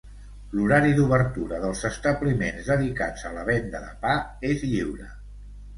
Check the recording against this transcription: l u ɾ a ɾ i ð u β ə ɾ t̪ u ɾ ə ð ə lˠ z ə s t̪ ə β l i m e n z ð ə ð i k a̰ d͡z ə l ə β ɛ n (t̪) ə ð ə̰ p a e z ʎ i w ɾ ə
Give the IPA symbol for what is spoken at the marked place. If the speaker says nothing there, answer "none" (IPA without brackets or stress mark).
d̪